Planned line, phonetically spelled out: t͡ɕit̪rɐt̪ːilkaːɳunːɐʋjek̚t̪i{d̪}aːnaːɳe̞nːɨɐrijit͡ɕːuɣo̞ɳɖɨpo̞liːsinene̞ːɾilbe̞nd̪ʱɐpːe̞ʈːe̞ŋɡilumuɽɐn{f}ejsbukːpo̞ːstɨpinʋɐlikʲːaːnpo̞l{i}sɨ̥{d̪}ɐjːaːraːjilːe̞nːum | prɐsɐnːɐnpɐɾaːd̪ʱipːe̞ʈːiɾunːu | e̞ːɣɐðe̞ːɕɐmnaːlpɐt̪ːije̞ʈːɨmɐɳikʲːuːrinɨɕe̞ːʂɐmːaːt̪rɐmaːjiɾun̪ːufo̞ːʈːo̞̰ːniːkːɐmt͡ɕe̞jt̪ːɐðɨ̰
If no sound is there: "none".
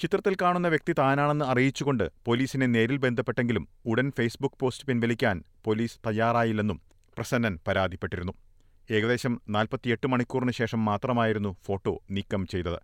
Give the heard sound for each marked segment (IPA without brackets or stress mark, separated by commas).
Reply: t̪, f, iː, t̪